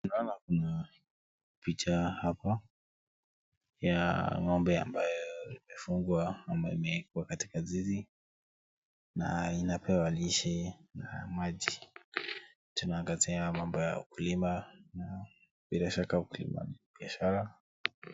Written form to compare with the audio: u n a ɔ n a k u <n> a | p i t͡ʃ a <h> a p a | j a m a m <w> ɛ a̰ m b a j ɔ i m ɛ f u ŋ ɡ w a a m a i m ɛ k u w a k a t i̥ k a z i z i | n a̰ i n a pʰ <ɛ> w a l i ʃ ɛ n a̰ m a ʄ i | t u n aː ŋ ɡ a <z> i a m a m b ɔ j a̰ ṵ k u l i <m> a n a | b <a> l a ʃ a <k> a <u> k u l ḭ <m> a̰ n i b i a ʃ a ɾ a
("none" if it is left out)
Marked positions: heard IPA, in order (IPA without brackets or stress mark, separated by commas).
n, h, b, ɛ, z, m, i, k, u, m